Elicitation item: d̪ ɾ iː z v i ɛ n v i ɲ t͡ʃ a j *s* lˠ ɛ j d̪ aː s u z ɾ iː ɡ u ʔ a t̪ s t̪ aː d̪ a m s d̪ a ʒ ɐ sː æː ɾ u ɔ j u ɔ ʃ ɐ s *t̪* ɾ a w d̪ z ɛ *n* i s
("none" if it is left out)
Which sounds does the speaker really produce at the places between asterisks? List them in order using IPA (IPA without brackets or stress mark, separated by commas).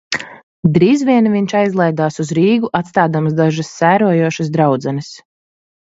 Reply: z, d̪, n